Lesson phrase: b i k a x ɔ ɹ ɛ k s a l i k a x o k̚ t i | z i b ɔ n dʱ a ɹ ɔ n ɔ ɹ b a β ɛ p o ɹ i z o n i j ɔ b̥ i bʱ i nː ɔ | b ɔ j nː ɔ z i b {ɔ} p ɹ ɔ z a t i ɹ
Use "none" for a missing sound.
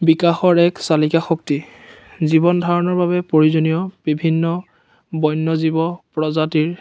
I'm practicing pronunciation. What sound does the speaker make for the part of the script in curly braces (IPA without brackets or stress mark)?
ɔ